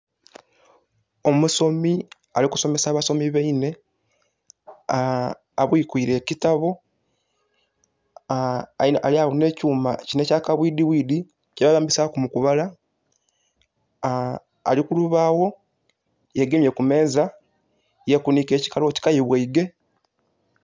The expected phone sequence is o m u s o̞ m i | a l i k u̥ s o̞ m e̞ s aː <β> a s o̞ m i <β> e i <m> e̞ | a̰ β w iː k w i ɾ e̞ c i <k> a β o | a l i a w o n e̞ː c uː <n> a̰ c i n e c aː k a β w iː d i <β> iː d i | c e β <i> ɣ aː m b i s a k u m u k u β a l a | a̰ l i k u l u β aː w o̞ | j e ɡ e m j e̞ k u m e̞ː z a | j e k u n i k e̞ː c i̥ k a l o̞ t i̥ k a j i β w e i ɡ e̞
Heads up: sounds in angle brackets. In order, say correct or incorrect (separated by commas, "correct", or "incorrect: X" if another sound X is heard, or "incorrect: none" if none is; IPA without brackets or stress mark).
correct, correct, incorrect: n, incorrect: t, incorrect: m, incorrect: w, incorrect: a